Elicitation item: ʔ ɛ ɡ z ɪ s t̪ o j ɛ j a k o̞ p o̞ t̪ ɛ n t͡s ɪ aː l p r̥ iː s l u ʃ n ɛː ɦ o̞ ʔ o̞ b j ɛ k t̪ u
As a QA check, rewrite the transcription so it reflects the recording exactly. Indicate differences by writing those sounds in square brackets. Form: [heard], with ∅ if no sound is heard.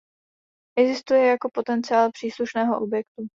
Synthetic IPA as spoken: ʔ ɛ ɡ z ɪ s t̪ [u] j ɛ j a k o̞ p o̞ t̪ ɛ n t͡s ɪ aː l p r̥ iː s l u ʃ n ɛː ɦ o̞ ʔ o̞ b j ɛ k t̪ u